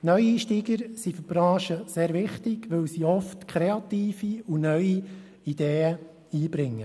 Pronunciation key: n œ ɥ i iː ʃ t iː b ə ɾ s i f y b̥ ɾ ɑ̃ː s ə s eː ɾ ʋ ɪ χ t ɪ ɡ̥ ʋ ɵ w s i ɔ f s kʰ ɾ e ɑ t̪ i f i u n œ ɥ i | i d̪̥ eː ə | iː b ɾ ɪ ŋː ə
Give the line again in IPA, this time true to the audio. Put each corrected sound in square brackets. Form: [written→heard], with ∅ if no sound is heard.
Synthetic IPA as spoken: n œ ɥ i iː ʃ t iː [b→ɡ] ə ɾ s i f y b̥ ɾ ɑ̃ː [s→ʃ] ə s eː ɾ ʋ ɪ χ t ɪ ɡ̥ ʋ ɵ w s i ɔ f [s→t] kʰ ɾ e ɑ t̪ [i→iː] f i u n œ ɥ i | i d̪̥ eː ə | iː b ɾ ɪ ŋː ə